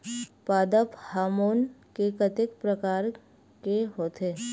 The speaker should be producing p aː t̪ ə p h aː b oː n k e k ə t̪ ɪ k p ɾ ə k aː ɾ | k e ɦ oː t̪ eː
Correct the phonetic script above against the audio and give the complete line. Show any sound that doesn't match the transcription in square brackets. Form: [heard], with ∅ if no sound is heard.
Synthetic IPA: p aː [d̪] ə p h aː [m] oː n k e k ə t̪ ɪ k p ɾ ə k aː ɾ | k e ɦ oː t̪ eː

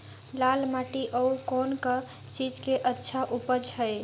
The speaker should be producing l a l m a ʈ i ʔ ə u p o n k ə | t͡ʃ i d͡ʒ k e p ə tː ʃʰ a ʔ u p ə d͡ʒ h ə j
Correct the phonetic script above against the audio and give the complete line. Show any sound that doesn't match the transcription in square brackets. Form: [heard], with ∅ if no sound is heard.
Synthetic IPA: l a l m a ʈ i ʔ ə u [k] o n k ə | t͡ʃ i d͡ʒ k e [ʔ] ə tː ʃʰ a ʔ u p ə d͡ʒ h ə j

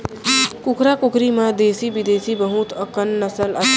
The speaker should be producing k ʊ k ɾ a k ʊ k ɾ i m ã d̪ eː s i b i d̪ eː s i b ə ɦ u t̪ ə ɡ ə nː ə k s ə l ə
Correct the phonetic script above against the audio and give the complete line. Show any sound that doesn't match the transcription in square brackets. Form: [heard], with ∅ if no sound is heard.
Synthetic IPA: k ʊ k ɾ a k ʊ k ɾ i m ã d̪ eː s i b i d̪ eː s i b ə ɦ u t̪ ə [k] ə nː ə [∅] s ə l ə

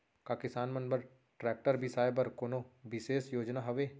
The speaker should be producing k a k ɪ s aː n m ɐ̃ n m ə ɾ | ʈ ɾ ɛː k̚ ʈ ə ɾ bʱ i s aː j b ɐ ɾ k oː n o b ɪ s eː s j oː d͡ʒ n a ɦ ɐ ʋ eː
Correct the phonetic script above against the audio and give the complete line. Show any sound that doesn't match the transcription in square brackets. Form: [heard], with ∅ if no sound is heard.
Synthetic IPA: k a k ɪ s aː n m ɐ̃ n [b] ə ɾ | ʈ ɾ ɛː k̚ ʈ ə ɾ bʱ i s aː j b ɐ ɾ k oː n o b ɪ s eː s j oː d͡ʒ n a ɦ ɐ ʋ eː

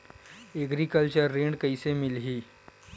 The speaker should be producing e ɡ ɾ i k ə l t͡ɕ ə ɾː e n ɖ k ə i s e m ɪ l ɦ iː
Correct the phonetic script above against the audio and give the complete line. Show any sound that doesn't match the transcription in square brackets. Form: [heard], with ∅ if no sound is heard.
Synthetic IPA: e ɡ ɾ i k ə l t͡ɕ ə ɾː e [ɳ] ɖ k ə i s e m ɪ l ɦ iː

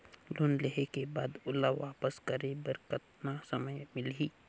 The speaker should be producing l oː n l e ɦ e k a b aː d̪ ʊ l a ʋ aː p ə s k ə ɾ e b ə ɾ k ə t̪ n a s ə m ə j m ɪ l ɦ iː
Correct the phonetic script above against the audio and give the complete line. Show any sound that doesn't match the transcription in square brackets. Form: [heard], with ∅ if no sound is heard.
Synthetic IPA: l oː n l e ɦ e k [e] b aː d̪ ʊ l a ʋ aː p ə s k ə ɾ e b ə ɾ k ə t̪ n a s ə m ə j m ɪ l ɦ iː

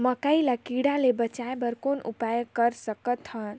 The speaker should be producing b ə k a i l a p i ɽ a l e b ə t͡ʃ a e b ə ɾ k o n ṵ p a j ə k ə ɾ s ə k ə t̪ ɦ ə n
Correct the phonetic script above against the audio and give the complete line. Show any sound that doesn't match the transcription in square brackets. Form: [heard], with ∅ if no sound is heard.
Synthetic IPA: [m] ə k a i l a [k] i ɽ a l e b ə t͡ʃ a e b ə ɾ k o n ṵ p a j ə k ə ɾ s ə k ə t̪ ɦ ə n

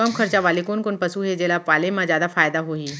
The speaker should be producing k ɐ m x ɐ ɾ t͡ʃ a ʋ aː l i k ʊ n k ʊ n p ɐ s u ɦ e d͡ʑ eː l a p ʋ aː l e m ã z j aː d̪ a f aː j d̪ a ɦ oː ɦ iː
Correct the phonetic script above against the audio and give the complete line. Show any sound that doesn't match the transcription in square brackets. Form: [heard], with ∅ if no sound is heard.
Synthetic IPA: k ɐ m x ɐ ɾ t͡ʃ a ʋ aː l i k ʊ n k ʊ n p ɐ s u ɦ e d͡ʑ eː l a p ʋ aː l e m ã z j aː d̪ a f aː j d̪ a ɦ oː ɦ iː

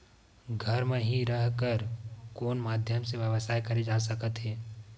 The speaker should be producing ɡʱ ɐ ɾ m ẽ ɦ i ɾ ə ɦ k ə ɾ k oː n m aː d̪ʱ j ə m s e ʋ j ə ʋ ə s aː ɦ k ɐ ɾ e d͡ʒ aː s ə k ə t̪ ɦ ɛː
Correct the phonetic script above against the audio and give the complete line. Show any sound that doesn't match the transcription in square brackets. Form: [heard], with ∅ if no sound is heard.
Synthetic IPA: ɡʱ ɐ ɾ m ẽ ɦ i ɾ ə ɦ k ə ɾ k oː n m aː d̪ʱ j ə m s e ʋ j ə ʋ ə s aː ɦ k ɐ ɾ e d͡ʒ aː s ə k ə t̪ ɦ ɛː

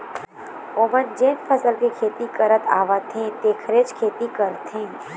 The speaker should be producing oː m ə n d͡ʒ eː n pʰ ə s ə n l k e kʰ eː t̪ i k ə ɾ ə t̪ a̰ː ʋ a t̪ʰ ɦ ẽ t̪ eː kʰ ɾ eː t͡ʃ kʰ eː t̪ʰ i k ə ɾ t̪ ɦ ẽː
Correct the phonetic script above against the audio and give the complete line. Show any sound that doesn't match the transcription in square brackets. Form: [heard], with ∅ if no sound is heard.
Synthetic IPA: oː m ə n d͡ʒ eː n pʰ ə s ə [∅] l k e kʰ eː t̪ i k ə ɾ ə t̪ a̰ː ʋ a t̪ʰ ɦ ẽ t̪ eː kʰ ɾ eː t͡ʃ kʰ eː [t̪] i k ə ɾ t̪ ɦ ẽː

